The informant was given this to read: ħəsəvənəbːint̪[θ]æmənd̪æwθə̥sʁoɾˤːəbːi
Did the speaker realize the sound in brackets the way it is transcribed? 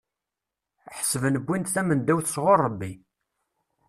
yes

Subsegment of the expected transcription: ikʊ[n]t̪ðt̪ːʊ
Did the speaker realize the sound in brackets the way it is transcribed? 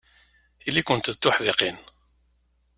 yes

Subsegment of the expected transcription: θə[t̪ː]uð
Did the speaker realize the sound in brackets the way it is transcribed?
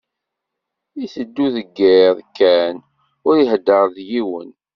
no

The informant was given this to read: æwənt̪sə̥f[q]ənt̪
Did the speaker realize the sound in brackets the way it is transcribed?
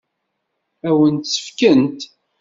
no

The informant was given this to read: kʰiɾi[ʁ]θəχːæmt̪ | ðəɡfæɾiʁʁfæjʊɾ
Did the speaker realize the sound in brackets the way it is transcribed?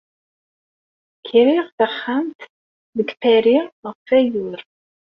yes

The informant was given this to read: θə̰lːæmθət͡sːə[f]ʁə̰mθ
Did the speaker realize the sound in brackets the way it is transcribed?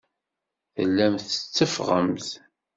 yes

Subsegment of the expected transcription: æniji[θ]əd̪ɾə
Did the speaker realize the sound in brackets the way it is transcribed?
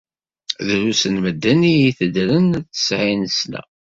yes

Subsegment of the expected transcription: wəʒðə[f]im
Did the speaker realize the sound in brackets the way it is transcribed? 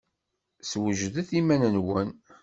no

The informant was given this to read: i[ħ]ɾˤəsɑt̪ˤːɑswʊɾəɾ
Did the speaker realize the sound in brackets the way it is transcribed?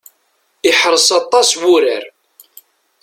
yes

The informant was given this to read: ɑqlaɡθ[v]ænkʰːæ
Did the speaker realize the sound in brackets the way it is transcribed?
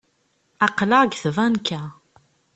yes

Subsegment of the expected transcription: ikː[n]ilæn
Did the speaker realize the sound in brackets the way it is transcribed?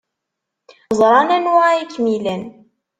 no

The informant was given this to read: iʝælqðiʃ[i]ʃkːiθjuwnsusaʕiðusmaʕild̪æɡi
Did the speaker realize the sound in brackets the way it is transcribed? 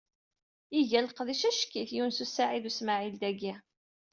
no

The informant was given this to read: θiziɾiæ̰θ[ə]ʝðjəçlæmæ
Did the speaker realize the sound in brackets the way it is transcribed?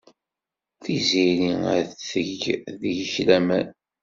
yes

